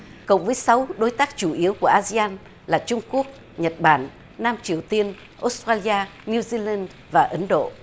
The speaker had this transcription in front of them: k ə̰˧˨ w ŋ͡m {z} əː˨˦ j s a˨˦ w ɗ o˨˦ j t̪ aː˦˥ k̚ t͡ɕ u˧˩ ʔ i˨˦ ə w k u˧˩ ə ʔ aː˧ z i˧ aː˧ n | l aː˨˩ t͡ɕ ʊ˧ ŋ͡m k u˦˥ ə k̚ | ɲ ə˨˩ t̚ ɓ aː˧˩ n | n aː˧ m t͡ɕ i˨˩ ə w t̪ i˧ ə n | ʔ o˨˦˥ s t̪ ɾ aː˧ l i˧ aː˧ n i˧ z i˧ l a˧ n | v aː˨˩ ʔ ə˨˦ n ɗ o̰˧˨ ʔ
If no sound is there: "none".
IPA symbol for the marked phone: v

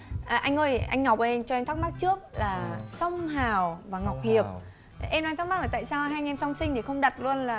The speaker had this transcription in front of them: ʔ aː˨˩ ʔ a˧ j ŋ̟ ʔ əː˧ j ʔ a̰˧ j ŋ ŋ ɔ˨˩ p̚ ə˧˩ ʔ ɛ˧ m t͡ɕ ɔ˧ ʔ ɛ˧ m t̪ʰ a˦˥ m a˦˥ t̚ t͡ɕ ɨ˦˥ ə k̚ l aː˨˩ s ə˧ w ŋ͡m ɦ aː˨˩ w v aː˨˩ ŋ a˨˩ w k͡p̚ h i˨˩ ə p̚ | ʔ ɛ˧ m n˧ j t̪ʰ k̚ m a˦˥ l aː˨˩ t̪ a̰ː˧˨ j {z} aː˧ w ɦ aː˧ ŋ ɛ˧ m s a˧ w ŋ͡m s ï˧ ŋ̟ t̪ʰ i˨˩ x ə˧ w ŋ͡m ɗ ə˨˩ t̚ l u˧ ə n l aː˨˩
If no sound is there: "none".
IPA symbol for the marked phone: s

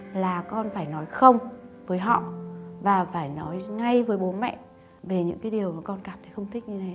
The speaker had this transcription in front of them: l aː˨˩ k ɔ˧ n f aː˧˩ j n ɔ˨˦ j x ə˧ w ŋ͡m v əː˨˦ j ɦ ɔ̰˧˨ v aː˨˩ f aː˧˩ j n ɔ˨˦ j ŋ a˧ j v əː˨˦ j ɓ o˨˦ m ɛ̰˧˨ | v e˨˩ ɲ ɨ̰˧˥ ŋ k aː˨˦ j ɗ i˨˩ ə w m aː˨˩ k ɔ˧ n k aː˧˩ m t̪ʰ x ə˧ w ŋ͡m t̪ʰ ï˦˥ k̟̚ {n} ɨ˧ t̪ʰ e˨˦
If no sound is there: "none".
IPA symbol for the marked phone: ɲ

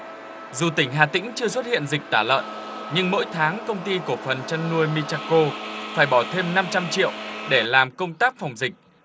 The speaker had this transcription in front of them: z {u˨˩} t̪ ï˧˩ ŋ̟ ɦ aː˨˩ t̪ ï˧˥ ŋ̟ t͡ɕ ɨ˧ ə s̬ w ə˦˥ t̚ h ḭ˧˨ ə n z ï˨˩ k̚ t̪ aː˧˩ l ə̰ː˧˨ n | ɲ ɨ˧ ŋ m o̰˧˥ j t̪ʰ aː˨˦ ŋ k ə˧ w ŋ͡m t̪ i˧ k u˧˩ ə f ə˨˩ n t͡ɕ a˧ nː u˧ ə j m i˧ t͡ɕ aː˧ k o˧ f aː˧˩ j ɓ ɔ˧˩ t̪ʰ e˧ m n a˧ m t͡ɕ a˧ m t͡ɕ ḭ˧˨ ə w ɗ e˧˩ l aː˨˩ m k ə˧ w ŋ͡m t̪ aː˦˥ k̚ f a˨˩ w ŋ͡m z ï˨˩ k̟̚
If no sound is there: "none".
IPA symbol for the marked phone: u˨˩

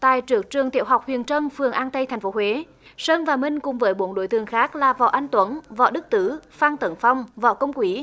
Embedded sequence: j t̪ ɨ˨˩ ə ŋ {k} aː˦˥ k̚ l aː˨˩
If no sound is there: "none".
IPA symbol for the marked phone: x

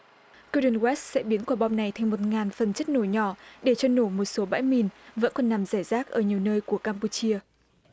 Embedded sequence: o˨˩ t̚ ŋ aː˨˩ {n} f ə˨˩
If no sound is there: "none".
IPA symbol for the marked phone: n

